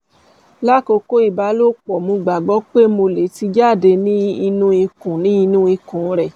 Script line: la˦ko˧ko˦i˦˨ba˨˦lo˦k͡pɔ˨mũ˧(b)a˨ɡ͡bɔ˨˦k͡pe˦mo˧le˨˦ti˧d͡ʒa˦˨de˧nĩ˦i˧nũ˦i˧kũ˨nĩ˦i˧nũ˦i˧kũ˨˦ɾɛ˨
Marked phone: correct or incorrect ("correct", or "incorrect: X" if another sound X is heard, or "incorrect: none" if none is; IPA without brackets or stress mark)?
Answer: incorrect: ɡ͡b